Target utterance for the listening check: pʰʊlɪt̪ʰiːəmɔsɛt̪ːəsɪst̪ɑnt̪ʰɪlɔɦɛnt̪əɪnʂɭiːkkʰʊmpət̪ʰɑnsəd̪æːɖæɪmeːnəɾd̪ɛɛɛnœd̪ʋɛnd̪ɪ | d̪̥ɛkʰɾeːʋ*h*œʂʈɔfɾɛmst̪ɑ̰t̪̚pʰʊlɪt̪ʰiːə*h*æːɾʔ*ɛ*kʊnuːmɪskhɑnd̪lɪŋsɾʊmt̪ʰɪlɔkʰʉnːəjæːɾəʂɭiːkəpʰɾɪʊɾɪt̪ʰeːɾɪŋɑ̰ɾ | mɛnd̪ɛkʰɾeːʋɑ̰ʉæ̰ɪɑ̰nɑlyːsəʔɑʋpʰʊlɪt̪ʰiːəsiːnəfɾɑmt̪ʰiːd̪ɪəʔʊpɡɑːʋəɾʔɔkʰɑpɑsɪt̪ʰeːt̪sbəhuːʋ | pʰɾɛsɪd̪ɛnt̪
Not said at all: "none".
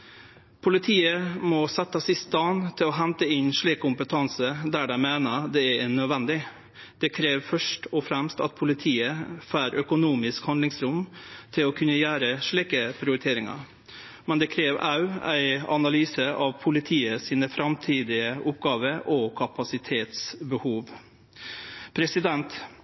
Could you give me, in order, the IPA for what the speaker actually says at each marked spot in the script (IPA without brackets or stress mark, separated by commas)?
f, f, œ